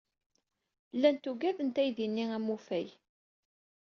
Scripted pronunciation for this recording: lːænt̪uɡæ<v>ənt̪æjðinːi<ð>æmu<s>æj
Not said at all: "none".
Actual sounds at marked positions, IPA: ð, none, f

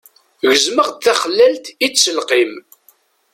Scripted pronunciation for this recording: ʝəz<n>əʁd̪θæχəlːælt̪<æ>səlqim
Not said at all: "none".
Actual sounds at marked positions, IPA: m, i

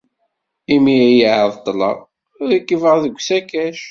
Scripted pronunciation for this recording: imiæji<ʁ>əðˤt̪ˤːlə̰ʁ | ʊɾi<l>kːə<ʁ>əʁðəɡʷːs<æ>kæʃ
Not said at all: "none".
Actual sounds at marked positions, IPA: ʕ, none, v, æ

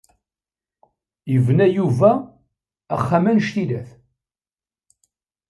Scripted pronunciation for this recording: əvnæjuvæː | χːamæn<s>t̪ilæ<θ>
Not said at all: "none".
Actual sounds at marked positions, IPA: ʃ, θ

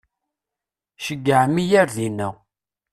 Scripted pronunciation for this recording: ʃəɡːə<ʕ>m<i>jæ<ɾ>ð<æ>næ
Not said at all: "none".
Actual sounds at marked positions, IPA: ʕ, i, ɾ, i

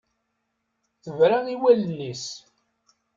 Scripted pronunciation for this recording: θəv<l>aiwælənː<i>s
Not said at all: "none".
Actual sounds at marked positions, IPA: ɾ, i

